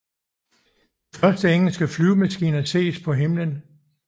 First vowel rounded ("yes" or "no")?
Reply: yes